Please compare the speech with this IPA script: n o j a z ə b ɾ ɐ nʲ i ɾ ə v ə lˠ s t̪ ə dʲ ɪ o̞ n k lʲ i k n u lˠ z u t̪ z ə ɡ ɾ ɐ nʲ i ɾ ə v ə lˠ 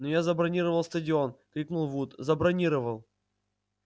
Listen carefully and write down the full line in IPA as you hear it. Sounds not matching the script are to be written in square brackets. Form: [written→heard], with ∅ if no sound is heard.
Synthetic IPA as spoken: n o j a z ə b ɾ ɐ nʲ i ɾ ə v ə lˠ s t̪ ə dʲ ɪ o̞ n k [lʲ→ɾʲ] i k n u lˠ [z→v] u t̪ z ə [ɡ→b] ɾ ɐ nʲ i ɾ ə v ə lˠ